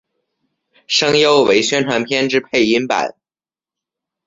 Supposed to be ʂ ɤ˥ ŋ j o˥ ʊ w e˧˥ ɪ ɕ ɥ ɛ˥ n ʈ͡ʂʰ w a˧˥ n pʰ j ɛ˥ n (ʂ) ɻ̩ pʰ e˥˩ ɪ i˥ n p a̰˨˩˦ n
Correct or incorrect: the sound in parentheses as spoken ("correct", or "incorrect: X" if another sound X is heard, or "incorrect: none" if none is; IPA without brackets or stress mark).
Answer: incorrect: ʈ͡ʂ